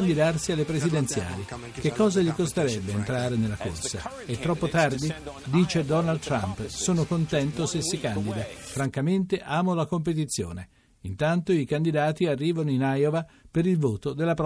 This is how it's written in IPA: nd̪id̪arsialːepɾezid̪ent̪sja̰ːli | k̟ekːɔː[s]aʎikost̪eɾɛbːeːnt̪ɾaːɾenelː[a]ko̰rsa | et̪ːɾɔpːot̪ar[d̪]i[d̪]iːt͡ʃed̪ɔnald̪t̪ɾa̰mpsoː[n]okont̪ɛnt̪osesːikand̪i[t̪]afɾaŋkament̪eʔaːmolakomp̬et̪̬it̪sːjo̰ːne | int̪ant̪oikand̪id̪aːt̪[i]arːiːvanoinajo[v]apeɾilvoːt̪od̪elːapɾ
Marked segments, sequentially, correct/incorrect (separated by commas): incorrect, correct, correct, correct, correct, incorrect, correct, correct